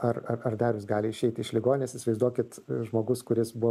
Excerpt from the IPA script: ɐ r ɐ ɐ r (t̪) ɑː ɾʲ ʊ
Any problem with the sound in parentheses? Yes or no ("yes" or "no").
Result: yes